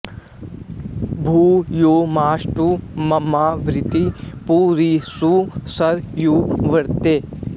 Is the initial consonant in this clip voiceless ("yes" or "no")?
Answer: no